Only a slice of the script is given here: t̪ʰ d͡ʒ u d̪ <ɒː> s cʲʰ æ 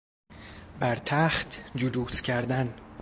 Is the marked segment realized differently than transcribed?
yes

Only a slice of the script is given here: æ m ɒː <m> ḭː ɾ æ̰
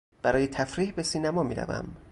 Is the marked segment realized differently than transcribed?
no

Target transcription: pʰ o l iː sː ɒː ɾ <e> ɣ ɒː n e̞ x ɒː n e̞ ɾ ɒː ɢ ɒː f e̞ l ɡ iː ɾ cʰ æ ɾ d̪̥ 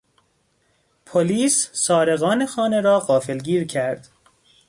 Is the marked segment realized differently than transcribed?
no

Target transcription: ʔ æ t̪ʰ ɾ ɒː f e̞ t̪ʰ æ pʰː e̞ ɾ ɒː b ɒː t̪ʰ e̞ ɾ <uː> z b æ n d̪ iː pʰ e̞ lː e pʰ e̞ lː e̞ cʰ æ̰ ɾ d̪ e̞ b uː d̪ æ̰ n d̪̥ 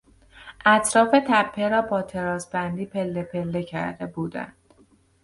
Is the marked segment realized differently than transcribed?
yes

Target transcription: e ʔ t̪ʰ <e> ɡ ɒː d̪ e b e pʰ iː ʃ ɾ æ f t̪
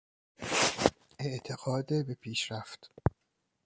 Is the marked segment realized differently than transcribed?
no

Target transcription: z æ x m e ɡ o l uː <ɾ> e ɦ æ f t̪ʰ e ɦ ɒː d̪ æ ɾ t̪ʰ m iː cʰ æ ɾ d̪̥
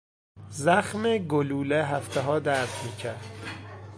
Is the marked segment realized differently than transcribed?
yes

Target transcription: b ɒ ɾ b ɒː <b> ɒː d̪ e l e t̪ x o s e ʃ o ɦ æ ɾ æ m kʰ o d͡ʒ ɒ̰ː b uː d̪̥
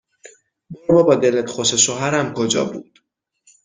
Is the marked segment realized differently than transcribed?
no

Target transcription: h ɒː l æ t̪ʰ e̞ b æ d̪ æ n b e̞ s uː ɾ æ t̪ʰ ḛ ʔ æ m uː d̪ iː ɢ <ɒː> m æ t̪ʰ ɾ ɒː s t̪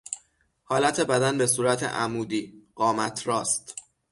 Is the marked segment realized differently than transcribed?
no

